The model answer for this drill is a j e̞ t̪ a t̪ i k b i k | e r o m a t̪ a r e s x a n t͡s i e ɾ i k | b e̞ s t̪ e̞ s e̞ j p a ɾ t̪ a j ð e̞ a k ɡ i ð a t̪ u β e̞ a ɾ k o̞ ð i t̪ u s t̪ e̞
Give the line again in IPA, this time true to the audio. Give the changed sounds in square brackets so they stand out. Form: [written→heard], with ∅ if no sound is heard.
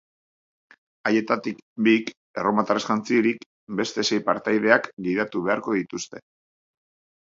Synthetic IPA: a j e̞ t̪ a t̪ i k b i k | e r o m a t̪ a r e s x a n t͡s i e ɾ i k | b e̞ s t̪ e̞ s e̞ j p a ɾ t̪ a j ð e̞ a k ɡ i ð a t̪ u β e̞ a ɾ k o̞ ð i t̪ u s t̪ e̞